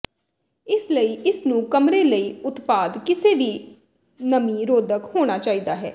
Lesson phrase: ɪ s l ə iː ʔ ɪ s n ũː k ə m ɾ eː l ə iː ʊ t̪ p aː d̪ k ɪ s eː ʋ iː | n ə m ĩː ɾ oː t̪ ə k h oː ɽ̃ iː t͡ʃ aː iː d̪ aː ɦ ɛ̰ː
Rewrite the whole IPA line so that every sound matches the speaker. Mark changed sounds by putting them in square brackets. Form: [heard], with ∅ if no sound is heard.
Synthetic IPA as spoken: ɪ s l ə iː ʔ ɪ s n ũː k ə m ɾ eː l ə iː ʊ t̪ p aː d̪ k ɪ s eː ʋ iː | n ə m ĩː ɾ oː [d̪] ə k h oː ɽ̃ [aː] t͡ʃ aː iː d̪ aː ɦ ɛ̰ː